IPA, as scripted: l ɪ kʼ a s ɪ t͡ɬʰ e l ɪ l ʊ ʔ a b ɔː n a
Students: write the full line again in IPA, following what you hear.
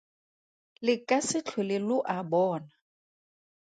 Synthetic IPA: l ɪ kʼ a s ɪ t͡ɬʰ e l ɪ l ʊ ʔ a b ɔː n a